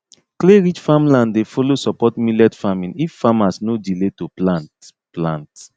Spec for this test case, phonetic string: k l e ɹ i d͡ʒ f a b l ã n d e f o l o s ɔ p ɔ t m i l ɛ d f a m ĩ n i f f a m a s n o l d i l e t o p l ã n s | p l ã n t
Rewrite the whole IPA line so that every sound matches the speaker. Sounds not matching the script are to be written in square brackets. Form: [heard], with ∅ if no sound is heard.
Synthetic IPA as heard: k l e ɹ i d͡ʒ f a [m] l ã n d e f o l o s ɔ p ɔ t m i l ɛ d f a m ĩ n i f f a m a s n o [∅] d i l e t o p l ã n [t] | p l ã n t